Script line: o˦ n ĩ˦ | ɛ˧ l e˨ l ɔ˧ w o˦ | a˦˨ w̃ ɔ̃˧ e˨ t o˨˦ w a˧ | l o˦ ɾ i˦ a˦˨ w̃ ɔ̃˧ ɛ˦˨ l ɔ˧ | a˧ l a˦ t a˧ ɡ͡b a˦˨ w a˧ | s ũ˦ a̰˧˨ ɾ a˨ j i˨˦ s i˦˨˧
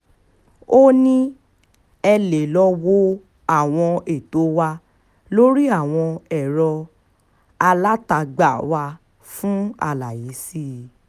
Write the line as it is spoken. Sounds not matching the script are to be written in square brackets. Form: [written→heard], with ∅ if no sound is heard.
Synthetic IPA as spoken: o˦ n ĩ˦ | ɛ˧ l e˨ l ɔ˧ w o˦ | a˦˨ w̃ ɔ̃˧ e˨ t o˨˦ w a˧ | l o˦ ɾ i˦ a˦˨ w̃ ɔ̃˧ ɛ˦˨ [l→ɾ] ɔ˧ | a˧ l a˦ t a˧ ɡ͡b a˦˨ w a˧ | [s→f] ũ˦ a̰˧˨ [ɾ→l] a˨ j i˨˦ s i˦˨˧